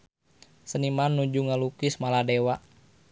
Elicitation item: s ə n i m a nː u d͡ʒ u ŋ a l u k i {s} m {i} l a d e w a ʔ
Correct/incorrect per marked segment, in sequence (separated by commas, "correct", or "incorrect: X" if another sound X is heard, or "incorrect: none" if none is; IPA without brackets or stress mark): correct, incorrect: a